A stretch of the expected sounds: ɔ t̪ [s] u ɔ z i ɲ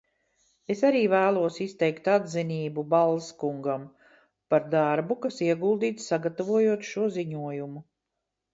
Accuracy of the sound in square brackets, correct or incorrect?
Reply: incorrect